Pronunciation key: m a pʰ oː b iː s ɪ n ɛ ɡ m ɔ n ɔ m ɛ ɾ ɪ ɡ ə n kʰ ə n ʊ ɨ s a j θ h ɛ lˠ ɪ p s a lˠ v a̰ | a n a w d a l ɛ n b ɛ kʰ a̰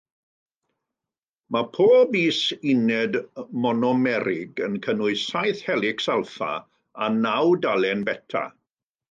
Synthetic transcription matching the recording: m a pʰ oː b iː s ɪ n ɛ d m ɔ n ɔ m ɛ ɾ ɪ ɡ ə n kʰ ə n ʊ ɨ s a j θ h ɛ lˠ ɪ k s a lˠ f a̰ | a n a w d a l ɛ n b ɛ tʰ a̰